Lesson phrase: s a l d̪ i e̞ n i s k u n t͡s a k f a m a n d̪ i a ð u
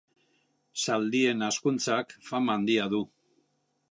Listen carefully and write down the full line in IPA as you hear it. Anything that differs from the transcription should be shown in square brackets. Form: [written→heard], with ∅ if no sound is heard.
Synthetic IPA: s a l d̪ i e̞ n [i→a] s k u n t͡s a k f a m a n d̪ i a ð u